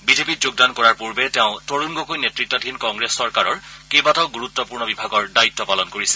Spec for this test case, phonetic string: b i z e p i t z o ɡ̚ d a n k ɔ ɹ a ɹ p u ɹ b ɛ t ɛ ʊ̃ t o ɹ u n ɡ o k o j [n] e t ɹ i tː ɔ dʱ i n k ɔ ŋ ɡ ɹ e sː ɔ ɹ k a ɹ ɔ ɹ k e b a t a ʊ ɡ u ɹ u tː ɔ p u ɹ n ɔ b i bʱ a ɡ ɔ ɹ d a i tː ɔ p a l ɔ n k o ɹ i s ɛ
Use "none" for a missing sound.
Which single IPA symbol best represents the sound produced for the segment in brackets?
n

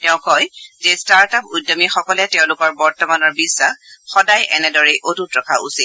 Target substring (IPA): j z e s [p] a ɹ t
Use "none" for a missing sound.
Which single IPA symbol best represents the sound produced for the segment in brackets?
t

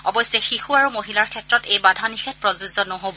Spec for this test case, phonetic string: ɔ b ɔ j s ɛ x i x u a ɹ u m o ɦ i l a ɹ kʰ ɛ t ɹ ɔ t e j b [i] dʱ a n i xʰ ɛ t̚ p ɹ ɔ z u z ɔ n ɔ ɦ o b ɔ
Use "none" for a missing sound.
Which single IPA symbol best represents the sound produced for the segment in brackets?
a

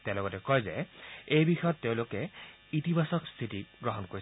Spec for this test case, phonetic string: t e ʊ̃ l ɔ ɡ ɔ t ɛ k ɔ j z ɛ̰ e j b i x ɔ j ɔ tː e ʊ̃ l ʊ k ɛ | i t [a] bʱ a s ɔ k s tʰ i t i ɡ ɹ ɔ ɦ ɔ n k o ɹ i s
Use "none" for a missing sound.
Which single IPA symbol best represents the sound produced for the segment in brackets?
i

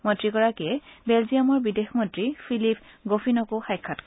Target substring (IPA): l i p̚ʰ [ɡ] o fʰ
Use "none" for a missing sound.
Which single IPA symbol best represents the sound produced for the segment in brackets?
ɡ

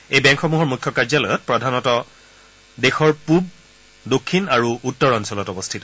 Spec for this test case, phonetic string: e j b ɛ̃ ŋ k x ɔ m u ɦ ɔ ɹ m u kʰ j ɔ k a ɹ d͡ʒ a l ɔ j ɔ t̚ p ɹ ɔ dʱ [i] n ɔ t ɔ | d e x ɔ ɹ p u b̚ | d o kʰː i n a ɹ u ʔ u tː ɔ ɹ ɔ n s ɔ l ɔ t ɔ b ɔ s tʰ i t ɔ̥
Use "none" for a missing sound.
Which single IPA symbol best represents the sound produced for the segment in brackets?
a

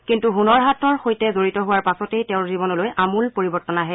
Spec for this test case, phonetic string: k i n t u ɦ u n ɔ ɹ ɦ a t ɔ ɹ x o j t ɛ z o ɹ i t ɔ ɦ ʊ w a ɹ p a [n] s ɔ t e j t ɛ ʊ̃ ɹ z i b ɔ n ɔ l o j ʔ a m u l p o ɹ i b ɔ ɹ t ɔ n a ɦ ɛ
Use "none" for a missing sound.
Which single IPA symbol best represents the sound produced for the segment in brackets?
none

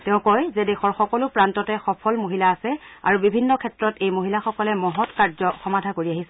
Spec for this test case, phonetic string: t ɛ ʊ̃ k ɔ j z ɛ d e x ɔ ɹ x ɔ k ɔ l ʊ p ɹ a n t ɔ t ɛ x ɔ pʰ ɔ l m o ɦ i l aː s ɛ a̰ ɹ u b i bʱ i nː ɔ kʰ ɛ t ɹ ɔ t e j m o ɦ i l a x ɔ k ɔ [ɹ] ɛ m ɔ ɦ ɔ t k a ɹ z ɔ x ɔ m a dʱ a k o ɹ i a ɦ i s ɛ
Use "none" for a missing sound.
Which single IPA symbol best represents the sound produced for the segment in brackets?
l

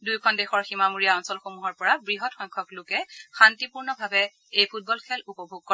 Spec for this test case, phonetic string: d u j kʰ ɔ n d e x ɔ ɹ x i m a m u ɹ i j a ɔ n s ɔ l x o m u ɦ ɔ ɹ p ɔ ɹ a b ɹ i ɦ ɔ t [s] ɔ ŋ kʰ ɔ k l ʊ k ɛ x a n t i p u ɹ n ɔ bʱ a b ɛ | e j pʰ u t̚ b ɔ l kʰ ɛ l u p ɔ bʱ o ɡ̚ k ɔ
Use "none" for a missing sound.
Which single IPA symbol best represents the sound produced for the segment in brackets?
x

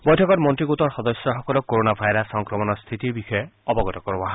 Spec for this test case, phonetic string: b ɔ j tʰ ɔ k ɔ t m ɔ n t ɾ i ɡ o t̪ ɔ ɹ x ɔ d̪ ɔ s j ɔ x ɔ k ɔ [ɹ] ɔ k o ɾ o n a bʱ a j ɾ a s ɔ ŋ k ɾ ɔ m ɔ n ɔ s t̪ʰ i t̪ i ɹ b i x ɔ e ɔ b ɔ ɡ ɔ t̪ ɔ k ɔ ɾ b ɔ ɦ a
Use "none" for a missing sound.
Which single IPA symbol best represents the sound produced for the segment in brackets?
l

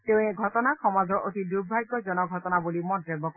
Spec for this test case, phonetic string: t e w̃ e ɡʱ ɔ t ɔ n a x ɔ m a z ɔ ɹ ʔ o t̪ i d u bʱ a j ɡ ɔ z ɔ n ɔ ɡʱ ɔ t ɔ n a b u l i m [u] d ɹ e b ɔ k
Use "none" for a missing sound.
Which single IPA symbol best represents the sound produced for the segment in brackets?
ɔ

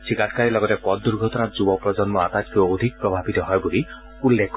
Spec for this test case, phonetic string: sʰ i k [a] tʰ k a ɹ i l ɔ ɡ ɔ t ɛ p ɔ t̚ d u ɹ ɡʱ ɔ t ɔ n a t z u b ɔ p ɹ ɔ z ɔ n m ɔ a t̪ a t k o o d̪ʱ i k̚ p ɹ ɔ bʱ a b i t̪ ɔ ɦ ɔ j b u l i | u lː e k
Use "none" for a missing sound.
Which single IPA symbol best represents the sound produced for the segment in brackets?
a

